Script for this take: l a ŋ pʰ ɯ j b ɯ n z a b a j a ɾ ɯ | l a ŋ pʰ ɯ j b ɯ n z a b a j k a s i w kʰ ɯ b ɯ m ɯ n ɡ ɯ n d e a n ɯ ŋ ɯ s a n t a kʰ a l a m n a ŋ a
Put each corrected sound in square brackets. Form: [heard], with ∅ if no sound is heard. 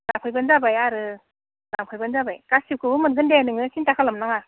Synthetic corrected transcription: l a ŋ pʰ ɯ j b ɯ n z a b a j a ɾ ɯ | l a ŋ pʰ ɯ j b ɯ n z a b a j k a s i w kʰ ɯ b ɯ m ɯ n ɡ ɯ n d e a n ɯ ŋ ɯ s [i] n t a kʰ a l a m n a ŋ a